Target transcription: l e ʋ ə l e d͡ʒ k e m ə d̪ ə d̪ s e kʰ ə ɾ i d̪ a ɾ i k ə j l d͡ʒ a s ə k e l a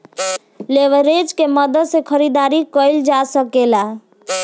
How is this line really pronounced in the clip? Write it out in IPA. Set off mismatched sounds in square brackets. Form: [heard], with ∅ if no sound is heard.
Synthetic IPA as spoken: l e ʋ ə [ɾ] e d͡ʒ k e m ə d̪ ə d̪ s e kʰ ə ɾ i d̪ a ɾ i k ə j l d͡ʒ a s ə k e l a